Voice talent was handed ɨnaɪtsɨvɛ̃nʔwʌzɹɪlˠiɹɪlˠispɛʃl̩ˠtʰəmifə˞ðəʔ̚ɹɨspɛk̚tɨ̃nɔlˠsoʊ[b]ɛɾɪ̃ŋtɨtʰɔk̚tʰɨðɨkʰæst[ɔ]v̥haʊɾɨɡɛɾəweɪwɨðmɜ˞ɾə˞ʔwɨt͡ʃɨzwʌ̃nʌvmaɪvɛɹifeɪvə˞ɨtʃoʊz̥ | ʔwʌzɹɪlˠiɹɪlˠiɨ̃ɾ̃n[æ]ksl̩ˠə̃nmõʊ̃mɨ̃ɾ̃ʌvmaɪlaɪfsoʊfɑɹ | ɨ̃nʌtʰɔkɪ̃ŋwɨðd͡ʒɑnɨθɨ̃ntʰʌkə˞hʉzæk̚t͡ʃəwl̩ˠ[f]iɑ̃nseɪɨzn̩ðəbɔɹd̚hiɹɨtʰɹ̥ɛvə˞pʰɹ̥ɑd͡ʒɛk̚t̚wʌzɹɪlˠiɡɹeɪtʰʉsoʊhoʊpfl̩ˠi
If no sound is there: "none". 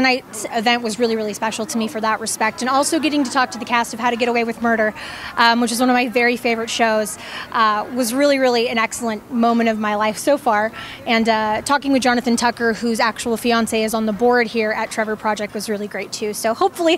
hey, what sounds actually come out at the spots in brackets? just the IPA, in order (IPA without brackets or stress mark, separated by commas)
ɡ, ʌ, ɛ, f